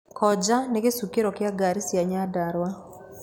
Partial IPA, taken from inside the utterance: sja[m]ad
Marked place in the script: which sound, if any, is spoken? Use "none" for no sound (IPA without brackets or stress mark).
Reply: ɲ